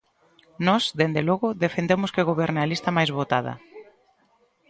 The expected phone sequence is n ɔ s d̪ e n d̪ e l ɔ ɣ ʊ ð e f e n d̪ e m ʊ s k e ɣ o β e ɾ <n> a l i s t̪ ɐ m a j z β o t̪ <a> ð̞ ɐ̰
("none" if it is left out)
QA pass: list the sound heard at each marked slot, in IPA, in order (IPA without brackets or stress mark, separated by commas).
n, a